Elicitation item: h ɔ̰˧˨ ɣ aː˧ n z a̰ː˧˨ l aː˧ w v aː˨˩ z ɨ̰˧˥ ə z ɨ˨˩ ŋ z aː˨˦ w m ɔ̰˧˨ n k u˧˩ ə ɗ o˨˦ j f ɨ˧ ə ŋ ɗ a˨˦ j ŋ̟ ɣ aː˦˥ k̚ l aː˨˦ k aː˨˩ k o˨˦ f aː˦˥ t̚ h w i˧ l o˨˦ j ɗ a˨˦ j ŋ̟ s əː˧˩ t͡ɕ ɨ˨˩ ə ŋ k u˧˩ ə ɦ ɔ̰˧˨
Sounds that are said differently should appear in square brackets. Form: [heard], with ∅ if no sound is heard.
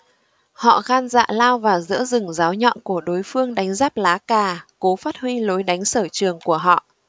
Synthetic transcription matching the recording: h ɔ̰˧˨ ɣ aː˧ n z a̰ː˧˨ l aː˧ w v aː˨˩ z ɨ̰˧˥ ə z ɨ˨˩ ŋ z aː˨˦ w [ɲ] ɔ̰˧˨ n k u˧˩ ə ɗ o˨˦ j f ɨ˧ ə ŋ ɗ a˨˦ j ŋ̟ [z] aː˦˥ [p̚] l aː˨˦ k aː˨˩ k o˨˦ f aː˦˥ t̚ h w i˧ l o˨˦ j ɗ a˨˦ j ŋ̟ s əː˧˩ t͡ɕ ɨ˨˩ ə ŋ k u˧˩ ə ɦ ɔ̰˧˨